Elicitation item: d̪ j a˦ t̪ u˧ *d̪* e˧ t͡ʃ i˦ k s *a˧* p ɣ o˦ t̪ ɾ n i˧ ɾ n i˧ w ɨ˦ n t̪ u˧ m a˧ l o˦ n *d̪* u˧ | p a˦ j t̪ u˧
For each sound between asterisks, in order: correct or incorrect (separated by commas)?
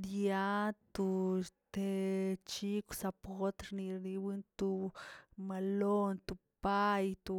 incorrect, correct, incorrect